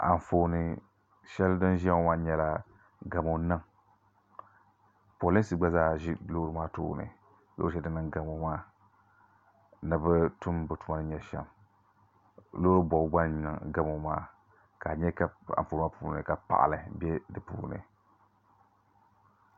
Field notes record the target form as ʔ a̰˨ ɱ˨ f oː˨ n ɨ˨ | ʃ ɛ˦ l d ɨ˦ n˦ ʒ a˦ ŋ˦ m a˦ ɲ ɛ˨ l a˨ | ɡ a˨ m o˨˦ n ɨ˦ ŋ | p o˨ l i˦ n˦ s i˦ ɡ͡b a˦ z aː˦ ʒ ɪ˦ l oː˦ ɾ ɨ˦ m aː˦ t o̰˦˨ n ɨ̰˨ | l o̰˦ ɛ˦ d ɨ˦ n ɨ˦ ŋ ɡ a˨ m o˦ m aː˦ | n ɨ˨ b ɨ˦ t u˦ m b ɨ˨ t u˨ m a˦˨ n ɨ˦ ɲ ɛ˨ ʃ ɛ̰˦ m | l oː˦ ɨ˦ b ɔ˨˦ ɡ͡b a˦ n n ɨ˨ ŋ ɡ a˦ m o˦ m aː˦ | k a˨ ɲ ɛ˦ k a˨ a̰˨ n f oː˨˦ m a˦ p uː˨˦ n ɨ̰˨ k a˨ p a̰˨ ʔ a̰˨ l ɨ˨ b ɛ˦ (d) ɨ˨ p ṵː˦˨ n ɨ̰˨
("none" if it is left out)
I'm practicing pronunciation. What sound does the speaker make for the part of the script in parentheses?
d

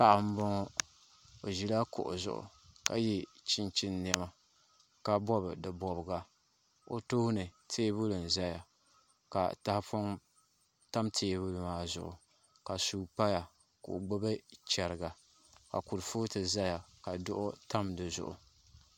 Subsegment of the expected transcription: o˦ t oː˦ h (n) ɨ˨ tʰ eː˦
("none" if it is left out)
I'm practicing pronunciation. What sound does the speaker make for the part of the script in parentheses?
n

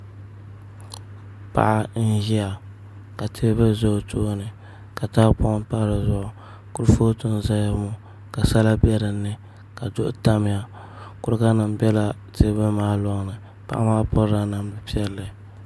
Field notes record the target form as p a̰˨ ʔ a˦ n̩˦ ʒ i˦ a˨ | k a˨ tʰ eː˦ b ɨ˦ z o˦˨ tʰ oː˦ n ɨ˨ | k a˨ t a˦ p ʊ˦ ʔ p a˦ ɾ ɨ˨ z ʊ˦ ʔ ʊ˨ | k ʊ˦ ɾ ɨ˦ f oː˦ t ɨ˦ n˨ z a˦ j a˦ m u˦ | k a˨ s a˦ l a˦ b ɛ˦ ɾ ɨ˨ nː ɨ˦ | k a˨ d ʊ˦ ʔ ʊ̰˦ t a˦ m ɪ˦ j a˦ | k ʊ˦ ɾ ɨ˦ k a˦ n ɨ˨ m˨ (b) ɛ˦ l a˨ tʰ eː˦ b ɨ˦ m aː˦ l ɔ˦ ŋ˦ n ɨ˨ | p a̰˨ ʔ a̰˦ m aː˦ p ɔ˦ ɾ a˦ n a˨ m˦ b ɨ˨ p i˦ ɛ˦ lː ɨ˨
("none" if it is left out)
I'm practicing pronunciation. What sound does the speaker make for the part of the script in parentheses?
b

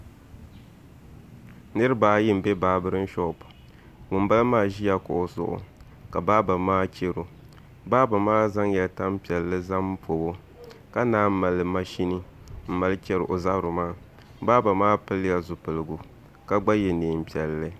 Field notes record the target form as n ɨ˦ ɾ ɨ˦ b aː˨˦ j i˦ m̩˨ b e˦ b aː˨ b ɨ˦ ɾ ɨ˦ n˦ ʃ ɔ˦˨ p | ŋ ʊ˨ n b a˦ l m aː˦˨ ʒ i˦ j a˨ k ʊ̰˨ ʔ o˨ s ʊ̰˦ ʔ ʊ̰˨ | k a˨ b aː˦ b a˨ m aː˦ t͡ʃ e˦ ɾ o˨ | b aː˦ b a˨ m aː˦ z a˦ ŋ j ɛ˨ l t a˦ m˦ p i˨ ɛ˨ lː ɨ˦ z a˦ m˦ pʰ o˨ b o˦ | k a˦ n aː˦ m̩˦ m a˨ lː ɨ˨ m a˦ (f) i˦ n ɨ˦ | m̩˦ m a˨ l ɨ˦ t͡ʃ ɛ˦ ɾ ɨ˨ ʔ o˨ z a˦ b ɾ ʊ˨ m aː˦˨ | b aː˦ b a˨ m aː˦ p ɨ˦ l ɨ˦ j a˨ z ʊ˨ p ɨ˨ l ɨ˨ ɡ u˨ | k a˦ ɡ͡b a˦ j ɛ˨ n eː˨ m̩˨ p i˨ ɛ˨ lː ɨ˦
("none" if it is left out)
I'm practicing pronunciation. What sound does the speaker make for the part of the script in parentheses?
ʃ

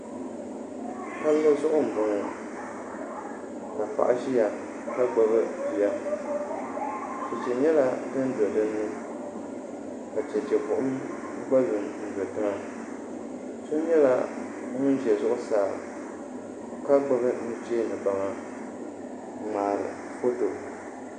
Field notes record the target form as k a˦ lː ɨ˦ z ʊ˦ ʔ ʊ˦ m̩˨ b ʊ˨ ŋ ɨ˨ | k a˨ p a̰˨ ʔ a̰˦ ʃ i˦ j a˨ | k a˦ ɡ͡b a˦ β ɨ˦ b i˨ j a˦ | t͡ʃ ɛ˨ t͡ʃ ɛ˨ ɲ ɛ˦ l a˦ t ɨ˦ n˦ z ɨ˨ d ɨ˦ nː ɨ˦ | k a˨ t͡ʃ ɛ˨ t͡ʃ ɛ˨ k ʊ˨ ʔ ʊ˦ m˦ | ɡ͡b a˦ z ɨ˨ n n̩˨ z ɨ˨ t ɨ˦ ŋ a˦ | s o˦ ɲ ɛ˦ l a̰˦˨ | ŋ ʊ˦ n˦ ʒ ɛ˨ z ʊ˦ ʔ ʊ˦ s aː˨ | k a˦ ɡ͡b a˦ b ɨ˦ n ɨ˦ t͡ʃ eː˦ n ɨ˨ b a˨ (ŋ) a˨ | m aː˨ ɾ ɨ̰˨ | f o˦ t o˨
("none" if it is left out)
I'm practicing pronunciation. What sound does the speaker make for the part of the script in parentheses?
ŋ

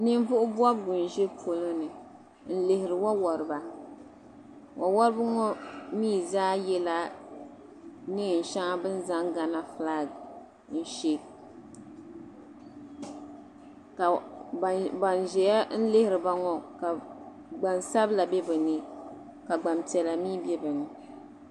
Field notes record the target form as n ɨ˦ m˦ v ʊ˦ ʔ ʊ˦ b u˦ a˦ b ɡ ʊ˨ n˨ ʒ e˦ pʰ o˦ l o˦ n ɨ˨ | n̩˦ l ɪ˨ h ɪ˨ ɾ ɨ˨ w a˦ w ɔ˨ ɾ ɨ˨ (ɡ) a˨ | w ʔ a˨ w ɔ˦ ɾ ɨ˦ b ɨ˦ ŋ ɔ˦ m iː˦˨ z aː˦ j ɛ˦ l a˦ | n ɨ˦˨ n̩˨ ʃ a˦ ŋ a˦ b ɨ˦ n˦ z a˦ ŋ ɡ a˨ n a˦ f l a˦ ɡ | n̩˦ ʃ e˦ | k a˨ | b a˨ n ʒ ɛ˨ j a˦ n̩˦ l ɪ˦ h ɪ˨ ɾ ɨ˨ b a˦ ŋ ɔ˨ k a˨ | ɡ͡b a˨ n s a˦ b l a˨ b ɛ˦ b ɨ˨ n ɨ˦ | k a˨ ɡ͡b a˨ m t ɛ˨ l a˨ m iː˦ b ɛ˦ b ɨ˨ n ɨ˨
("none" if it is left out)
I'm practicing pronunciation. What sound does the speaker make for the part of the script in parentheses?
b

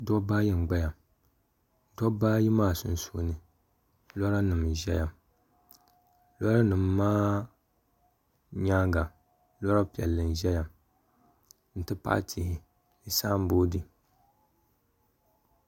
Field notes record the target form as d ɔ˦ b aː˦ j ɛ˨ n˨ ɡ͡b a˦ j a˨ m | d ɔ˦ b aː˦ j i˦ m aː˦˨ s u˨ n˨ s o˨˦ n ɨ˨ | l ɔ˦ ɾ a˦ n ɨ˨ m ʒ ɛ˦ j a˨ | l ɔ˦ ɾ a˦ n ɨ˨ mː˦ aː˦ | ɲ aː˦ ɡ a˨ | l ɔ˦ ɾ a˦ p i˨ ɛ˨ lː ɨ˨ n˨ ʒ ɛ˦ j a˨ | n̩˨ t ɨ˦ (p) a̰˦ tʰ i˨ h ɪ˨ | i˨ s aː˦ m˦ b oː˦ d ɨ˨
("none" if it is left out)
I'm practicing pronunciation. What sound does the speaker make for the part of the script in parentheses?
p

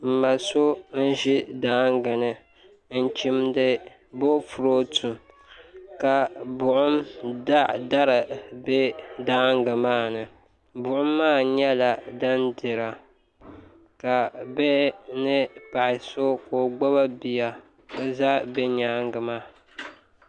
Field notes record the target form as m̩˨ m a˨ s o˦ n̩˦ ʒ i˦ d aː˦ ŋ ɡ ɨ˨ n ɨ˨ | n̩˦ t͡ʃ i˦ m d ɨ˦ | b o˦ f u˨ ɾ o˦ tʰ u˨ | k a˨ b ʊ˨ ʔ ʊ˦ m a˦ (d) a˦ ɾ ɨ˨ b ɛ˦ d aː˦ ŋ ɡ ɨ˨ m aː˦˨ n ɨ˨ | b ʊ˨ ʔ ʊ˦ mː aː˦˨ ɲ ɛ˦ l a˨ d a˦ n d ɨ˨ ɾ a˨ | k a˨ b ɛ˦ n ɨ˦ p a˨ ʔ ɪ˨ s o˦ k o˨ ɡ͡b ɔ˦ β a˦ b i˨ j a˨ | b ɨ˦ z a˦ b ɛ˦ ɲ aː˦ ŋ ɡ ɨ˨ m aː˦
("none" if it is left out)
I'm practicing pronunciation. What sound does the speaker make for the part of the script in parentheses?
d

